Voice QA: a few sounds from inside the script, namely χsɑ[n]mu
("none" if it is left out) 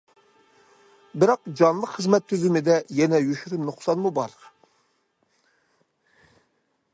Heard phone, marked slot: n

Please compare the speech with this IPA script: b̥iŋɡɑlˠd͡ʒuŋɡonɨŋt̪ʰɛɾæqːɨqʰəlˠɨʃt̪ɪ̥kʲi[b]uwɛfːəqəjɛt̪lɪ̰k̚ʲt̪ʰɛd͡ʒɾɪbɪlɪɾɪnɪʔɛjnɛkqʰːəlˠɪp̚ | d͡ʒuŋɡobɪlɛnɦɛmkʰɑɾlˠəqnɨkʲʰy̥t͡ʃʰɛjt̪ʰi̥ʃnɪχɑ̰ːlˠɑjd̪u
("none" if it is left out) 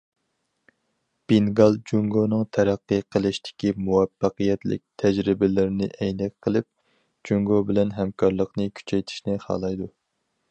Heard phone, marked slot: m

